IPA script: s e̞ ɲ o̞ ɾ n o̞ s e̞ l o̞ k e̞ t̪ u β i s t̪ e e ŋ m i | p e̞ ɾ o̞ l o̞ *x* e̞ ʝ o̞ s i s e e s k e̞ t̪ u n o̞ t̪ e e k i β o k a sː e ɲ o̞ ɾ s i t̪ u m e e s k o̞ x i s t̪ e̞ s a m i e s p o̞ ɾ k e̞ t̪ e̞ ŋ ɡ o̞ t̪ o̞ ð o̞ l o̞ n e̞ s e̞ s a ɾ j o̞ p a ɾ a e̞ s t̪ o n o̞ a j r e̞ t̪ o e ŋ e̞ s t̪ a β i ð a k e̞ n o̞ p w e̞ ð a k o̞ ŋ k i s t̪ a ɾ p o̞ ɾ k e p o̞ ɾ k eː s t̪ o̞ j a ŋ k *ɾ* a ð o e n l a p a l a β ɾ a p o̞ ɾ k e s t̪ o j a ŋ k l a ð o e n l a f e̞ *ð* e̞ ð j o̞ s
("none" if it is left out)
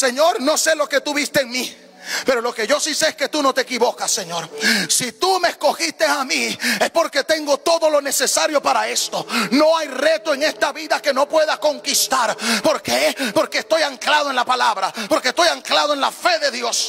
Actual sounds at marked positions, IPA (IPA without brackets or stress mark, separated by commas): k, l, ð